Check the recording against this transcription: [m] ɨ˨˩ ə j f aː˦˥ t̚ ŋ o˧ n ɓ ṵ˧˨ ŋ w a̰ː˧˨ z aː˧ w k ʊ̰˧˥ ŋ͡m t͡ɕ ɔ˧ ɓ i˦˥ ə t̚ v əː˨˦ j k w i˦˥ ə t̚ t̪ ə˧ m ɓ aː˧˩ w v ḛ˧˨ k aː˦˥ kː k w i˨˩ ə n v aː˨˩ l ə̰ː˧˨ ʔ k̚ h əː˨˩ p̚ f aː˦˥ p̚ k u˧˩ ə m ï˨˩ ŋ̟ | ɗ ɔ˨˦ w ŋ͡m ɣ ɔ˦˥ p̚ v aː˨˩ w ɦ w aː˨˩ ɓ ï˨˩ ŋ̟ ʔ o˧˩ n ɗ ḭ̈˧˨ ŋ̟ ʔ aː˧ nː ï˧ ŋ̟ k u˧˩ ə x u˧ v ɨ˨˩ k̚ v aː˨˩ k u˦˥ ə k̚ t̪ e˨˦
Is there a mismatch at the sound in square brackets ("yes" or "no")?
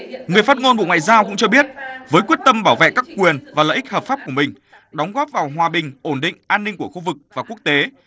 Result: yes